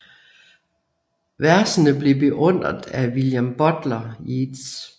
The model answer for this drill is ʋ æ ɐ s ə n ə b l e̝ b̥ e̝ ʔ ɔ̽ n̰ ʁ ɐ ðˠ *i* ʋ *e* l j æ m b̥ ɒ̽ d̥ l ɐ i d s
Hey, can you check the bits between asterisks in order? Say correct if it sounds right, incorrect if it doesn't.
incorrect: æ, incorrect: i

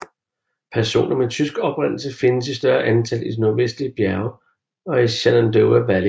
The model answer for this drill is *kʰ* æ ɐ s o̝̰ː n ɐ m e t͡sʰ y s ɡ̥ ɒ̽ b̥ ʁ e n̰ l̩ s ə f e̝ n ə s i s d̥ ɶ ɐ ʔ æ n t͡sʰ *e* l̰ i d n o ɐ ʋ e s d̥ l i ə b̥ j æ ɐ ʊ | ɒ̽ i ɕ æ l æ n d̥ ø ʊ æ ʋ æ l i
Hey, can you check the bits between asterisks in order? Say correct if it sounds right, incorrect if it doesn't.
incorrect: pʰ, incorrect: æ

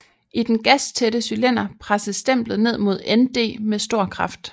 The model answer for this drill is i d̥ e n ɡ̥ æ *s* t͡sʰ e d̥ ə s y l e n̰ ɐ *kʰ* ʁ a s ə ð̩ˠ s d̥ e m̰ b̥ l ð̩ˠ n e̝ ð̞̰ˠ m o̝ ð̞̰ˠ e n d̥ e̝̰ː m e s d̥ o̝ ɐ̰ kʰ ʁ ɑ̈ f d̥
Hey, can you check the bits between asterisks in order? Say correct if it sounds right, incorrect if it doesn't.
correct, incorrect: pʰ

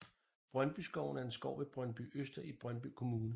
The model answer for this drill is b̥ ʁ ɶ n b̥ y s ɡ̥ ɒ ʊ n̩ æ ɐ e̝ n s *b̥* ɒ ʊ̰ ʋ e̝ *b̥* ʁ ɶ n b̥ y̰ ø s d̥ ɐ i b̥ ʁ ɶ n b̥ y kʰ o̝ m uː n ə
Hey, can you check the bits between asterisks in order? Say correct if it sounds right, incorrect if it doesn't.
incorrect: ɡ̥, correct

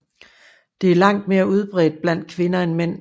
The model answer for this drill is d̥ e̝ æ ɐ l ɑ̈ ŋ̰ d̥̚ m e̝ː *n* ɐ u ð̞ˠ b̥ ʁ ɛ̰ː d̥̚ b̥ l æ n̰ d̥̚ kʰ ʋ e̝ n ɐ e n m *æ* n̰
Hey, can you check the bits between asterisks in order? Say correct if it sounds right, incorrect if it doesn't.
incorrect: none, incorrect: e

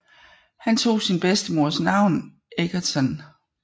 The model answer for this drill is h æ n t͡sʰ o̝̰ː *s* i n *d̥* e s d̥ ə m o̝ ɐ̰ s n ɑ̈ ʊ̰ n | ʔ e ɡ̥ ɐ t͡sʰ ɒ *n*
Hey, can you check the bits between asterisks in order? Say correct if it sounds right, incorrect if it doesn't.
correct, incorrect: b̥, correct

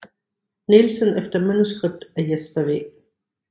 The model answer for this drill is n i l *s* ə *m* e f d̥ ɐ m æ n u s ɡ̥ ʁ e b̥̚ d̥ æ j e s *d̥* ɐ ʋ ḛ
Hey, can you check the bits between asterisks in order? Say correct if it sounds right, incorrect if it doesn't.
correct, incorrect: n, incorrect: b̥

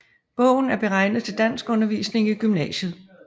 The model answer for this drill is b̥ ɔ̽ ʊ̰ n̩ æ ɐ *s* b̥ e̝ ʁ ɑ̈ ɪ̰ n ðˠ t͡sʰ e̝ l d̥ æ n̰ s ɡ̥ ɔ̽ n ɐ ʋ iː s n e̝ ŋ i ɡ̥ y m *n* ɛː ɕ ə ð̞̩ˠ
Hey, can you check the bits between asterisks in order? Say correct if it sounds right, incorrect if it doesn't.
incorrect: none, correct

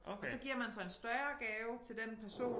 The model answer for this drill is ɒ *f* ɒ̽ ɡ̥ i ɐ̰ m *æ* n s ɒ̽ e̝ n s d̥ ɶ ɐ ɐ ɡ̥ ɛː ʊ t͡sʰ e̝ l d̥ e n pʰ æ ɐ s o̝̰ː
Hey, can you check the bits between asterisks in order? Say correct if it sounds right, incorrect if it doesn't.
incorrect: s, correct

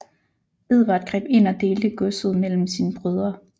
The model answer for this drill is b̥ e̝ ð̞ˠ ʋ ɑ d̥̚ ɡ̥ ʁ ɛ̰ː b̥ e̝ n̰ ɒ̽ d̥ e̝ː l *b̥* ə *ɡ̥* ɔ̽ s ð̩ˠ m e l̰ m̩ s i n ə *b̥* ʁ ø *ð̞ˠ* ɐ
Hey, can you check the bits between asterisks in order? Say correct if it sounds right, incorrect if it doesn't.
incorrect: d̥, correct, correct, correct

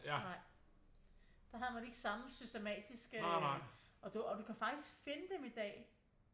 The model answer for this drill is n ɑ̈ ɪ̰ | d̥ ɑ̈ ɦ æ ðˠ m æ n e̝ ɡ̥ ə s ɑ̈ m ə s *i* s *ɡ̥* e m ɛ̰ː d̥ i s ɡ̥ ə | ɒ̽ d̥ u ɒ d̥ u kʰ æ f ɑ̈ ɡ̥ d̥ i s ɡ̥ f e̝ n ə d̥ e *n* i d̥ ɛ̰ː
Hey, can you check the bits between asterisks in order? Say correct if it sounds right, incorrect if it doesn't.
incorrect: y, incorrect: d̥, incorrect: m

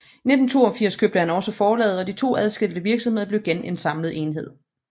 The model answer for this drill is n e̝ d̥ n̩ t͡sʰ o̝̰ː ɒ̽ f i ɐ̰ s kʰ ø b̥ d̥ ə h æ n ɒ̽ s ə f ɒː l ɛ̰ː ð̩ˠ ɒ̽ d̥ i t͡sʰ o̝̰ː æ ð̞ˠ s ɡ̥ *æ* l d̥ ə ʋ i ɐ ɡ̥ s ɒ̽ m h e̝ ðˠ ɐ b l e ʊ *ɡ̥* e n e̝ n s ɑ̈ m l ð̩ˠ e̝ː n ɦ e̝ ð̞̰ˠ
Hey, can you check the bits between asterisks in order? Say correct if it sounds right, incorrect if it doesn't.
incorrect: e, correct

